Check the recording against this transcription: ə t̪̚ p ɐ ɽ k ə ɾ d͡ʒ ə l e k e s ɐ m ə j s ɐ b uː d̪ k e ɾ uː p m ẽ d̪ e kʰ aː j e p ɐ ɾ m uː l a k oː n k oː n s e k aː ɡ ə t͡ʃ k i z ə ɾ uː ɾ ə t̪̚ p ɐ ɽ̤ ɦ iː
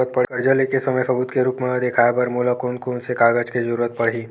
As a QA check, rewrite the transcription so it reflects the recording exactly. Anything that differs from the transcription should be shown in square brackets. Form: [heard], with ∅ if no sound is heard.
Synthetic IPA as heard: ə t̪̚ p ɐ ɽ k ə ɾ d͡ʒ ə l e k e s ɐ m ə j s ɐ b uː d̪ k e ɾ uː p m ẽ d̪ e kʰ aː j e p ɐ ɾ m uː l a k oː n k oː n s e k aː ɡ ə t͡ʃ k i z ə ɾ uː ɾ ə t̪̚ p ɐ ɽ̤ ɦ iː